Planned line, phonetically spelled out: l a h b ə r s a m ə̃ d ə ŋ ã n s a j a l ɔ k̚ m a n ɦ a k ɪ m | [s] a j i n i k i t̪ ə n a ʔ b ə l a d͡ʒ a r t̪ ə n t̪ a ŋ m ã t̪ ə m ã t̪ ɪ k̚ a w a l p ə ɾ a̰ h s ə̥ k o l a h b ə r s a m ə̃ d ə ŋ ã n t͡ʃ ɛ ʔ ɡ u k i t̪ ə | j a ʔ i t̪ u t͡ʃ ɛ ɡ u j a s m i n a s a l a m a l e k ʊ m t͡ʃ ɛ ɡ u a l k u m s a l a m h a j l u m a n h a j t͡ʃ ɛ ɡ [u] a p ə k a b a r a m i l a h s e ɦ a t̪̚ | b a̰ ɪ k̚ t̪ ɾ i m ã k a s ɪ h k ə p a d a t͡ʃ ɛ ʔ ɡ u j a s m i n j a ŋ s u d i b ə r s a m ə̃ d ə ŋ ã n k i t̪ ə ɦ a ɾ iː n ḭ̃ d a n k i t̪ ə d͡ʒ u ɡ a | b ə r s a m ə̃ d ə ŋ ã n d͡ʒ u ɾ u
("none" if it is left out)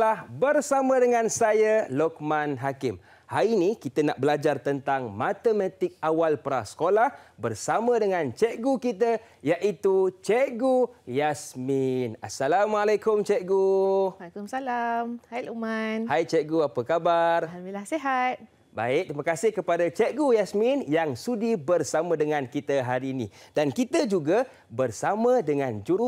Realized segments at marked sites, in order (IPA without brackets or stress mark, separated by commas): h, u